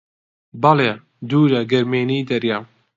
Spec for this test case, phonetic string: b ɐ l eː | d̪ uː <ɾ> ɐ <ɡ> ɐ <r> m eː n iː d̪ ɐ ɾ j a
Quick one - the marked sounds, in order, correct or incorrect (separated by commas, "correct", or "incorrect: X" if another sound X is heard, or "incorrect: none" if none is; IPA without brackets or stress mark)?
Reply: correct, correct, incorrect: ɾ